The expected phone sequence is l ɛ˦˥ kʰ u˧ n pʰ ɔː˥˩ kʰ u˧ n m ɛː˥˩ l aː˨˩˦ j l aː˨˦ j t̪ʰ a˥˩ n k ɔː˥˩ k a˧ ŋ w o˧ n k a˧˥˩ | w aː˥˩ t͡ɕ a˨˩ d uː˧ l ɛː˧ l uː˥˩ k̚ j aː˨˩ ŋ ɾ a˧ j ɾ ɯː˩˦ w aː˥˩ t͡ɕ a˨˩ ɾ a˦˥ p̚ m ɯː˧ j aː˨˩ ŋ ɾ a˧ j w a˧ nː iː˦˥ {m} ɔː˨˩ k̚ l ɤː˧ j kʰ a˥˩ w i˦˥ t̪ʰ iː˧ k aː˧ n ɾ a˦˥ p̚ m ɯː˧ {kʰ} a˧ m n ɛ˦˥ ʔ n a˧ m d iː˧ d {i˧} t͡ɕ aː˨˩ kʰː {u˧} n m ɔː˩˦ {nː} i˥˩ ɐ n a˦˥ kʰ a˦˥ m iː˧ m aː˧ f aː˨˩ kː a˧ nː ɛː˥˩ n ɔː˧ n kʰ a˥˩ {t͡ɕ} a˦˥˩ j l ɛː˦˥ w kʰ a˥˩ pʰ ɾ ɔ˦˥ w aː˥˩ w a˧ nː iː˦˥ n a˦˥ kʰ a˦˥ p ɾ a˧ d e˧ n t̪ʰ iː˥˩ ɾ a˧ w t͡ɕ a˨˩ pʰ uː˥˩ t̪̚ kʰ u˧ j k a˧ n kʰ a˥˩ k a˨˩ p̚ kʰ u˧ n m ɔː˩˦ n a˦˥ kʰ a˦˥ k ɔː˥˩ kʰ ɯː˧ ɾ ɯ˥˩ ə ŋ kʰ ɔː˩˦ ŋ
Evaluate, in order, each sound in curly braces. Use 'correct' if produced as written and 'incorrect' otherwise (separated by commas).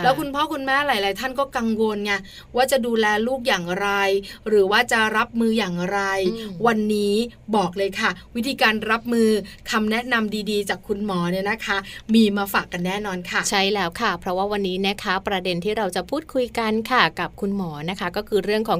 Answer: incorrect, correct, incorrect, correct, incorrect, incorrect